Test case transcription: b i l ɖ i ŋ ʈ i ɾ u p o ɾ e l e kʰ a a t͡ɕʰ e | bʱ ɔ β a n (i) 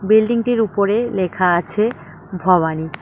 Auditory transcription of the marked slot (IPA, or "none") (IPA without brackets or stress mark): i